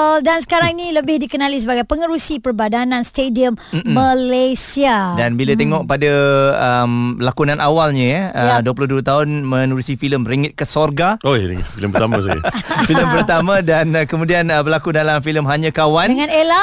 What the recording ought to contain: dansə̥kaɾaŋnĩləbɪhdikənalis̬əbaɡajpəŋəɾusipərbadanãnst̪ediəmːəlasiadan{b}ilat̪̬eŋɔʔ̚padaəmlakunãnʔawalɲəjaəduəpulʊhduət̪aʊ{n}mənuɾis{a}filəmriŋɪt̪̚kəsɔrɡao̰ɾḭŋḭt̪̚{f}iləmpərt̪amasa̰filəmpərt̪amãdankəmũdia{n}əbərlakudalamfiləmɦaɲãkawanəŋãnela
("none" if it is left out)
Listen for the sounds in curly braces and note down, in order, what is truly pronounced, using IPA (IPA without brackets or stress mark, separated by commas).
b, n, i, f, n